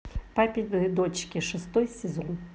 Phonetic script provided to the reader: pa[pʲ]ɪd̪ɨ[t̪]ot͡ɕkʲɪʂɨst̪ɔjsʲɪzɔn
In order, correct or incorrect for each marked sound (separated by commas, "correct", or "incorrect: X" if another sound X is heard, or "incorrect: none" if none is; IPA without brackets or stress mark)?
correct, incorrect: d̪